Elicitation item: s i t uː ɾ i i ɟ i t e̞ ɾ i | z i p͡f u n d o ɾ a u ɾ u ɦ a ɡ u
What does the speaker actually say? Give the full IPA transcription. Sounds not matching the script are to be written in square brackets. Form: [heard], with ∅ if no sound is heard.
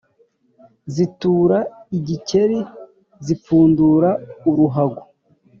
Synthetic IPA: [z] i t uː ɾ [a] i ɟ i [c] e̞ ɾ i | z i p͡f [uː] n d [u] ɾ a u ɾ u ɦ a ɡ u